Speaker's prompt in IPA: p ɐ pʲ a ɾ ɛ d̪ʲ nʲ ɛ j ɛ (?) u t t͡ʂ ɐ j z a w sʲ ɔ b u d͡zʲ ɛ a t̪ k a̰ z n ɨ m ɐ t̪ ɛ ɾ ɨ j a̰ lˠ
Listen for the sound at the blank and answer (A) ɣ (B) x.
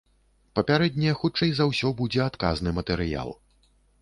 B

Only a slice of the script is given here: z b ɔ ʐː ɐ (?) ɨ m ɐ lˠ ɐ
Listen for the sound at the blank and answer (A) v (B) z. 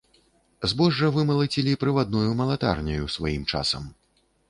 A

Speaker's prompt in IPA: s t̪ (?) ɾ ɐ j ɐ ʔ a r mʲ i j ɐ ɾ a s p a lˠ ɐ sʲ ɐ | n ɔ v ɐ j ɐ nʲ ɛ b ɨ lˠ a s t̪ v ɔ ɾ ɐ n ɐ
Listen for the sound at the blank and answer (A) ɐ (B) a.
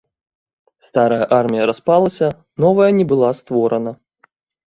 B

